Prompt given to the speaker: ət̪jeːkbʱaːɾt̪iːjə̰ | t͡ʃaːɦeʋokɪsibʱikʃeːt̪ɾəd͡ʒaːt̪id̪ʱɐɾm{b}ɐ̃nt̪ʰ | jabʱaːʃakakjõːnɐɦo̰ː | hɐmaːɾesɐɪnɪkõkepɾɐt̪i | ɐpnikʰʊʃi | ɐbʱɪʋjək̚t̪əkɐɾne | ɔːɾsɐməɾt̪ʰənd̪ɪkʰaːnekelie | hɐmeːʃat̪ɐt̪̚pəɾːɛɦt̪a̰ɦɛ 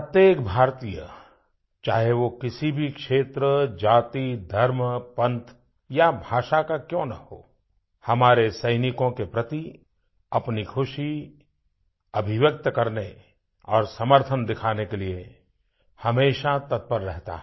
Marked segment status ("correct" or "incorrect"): incorrect